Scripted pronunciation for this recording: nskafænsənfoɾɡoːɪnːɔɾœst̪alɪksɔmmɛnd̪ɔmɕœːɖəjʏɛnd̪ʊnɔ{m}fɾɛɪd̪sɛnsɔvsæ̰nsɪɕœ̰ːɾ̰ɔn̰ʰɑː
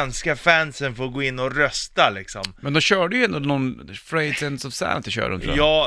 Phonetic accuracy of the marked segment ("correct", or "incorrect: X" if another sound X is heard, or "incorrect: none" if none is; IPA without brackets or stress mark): incorrect: n